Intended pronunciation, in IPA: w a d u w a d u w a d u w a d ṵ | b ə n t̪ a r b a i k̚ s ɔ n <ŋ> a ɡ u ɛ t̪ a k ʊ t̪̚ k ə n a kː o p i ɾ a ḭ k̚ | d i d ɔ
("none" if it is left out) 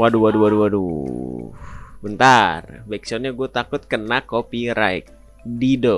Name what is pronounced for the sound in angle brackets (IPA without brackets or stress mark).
ɲ